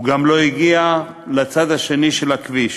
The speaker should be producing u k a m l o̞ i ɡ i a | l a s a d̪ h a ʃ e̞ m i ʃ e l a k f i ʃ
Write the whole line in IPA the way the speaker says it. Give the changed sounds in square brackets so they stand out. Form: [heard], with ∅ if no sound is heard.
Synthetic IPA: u [ɡ] a m l o̞ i ɡ i a | l a [t͡s] a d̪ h a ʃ e̞ [n] i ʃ e l a k [v] i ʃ

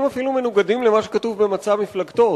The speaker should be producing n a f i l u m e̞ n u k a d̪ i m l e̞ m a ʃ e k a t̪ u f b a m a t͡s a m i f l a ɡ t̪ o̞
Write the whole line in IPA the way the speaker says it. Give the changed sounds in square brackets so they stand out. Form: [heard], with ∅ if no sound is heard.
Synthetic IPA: [m] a f i l u m e̞ n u [ɡ] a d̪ i m l e̞ m a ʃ e k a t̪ u [v] b [e] m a t͡s a m i f l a ɡ t̪ o̞

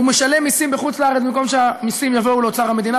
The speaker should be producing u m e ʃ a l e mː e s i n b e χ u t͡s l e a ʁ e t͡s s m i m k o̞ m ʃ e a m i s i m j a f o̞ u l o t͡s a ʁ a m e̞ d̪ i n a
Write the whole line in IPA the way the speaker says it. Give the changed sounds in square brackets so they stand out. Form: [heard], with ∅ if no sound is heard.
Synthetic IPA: u m e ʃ a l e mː [i] s i [m] b e χ u t͡s l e a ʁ e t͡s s m i m k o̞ m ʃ e a m i s i m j a [v] o̞ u l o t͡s a ʁ a m e̞ d̪ i n a

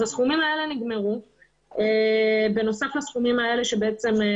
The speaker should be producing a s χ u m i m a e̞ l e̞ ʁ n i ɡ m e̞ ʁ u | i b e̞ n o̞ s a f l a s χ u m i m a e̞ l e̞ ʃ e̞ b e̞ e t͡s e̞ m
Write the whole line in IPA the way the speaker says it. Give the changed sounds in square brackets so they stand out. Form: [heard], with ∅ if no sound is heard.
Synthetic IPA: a s χ u m i m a e̞ l e̞ [∅] n i ɡ m e̞ ʁ u | [e] b e̞ n o̞ s a f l a s χ u m i m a e̞ l e̞ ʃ e̞ b e̞ e t͡s e̞ m

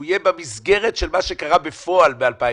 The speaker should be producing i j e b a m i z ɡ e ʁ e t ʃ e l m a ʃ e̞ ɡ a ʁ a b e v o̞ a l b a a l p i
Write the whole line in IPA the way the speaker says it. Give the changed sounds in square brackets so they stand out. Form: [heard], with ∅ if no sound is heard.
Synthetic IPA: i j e b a m i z ɡ e ʁ e t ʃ e l m a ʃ e̞ [k] a ʁ a b e [f] o̞ a l b [e] a l p [a]

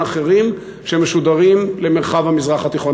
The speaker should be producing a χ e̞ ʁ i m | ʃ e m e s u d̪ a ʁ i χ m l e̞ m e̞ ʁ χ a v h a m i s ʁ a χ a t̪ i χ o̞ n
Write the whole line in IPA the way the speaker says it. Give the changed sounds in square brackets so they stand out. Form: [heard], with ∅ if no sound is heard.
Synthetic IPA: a χ e̞ ʁ i m | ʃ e m e [ʃ] u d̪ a ʁ i [∅] m l e̞ m e̞ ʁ χ a v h a m i [z] ʁ a χ a t̪ i χ o̞ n

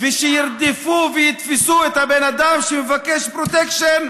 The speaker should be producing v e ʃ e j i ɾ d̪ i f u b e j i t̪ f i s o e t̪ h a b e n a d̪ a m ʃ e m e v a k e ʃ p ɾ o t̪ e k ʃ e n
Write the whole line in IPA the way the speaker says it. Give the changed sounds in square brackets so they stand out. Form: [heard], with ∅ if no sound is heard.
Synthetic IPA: v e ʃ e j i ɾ d̪ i f u [v] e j i t̪ f i s [u] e t̪ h a b e n a d̪ a m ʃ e m e v a k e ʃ p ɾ o t̪ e k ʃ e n

